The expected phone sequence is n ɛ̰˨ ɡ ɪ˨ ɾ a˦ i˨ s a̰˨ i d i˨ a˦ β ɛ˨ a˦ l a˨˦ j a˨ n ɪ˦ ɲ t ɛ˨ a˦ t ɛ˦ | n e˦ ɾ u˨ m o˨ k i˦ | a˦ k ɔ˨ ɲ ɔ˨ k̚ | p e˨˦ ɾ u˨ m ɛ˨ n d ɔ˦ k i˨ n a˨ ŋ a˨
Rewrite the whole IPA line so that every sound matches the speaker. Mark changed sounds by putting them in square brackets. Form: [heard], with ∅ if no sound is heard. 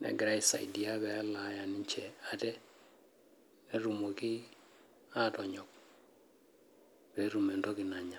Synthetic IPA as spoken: n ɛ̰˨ ɡ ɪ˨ ɾ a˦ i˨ s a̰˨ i d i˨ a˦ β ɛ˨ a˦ l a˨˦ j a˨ n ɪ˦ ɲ [t͡ʃ] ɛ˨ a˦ t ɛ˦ | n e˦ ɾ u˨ m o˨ k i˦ | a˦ [t] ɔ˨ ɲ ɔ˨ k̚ | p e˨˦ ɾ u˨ m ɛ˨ n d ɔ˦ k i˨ n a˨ [ɲ] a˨